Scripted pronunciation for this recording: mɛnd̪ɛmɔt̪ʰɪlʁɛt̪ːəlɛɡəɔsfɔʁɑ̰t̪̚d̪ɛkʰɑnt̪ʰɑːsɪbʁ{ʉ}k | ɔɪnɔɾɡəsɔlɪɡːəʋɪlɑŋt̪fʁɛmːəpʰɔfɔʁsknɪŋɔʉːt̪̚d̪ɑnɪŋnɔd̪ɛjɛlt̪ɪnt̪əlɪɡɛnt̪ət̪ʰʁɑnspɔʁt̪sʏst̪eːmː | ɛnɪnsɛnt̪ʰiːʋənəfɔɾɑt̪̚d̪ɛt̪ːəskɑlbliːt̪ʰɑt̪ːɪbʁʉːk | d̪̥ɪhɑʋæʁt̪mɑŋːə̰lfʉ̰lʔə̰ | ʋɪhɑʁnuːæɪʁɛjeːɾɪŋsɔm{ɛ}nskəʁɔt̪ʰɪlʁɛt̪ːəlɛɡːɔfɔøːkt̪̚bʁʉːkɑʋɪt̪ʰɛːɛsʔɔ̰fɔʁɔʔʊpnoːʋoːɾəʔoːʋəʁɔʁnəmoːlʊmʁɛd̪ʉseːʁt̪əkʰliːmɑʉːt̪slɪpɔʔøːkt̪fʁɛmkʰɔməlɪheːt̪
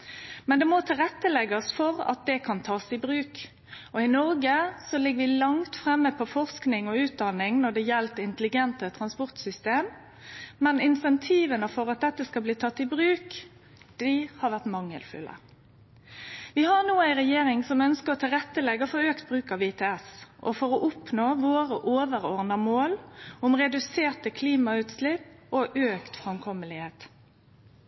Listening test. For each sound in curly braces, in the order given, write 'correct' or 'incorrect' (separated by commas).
incorrect, incorrect